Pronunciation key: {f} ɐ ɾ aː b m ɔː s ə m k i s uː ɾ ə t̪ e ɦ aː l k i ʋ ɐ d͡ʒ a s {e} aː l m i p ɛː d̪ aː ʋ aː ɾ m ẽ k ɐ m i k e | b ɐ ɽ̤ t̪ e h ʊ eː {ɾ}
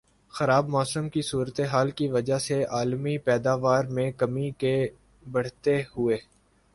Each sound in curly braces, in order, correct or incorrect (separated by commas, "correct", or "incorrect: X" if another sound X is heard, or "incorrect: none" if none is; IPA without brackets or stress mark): incorrect: x, correct, incorrect: none